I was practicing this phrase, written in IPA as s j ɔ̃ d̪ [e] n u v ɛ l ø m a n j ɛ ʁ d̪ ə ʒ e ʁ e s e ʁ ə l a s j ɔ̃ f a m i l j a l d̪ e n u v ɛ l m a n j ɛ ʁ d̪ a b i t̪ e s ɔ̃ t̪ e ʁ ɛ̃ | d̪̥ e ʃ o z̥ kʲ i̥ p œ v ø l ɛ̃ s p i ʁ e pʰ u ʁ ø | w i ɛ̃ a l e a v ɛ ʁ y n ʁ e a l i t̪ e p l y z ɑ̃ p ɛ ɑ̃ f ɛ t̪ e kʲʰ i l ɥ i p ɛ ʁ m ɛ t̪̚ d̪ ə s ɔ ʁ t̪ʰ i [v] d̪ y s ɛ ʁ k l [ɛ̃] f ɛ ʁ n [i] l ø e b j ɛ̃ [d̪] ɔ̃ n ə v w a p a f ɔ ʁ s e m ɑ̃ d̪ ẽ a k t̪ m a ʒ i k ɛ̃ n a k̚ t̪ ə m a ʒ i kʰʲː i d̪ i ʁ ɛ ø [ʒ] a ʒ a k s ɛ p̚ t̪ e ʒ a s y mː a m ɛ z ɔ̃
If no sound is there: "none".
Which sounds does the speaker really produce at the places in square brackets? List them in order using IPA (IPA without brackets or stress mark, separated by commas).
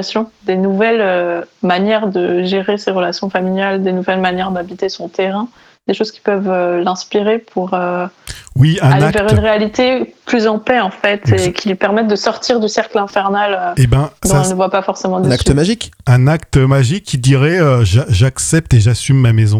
e, ʁ, ɛ̃, a, d̪, ʒ